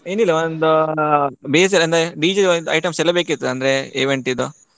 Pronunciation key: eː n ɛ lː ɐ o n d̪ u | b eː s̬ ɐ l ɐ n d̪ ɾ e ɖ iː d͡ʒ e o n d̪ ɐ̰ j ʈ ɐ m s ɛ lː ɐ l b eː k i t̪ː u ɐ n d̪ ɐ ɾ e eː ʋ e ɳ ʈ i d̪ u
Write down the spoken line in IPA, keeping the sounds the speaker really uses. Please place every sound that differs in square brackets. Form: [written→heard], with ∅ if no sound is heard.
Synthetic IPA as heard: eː n [ɛ→i] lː ɐ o n d̪ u | b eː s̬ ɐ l ɐ n d̪ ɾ e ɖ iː d͡ʒ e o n d̪ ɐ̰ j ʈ ɐ m s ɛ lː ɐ [l→∅] b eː k i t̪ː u ɐ n d̪ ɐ ɾ e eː ʋ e ɳ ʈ i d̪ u